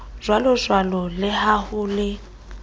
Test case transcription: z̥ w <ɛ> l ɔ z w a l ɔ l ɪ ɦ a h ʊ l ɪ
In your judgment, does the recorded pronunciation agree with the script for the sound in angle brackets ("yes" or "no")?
no